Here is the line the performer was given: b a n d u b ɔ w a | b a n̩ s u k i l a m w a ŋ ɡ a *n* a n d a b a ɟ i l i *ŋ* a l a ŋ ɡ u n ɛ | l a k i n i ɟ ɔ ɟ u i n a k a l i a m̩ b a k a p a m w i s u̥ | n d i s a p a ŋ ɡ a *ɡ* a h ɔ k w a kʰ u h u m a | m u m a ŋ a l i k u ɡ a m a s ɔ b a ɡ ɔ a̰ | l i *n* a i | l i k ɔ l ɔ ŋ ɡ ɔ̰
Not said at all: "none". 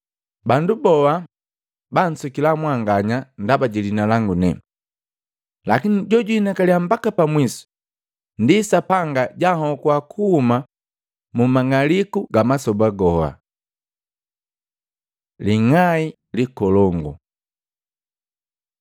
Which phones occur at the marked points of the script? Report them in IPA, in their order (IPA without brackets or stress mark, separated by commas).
ɲ, n, ɟ, ŋ